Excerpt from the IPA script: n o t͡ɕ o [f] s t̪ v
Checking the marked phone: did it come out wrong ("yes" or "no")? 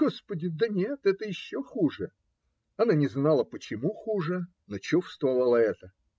no